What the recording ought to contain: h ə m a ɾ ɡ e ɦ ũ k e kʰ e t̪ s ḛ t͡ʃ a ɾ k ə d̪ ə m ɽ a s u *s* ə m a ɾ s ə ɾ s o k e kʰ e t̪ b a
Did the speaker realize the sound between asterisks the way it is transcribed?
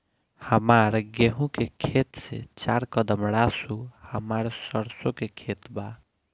no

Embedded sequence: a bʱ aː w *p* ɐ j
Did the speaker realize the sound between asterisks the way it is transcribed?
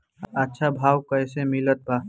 no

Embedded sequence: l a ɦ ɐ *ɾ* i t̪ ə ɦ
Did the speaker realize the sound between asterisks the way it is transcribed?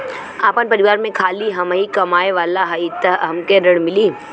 no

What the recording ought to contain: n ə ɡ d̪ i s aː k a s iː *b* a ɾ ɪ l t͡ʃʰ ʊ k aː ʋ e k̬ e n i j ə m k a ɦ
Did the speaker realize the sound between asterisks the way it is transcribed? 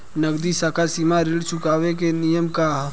no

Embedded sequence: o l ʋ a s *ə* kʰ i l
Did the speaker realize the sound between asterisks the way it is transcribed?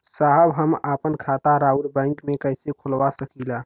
yes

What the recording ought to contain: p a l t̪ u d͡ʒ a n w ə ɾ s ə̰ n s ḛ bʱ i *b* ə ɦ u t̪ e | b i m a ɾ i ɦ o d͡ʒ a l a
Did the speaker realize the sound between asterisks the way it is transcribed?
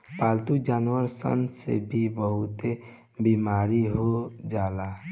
yes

